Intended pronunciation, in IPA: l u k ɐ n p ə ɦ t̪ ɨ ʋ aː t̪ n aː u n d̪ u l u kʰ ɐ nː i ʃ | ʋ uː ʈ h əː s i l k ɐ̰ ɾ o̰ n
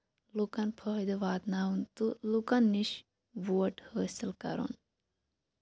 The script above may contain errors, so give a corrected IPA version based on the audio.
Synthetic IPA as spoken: l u k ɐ n pʰ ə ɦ d̪ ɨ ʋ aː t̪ n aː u n t̪ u l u k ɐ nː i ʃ | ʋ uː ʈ h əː s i l k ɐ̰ ɾ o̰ n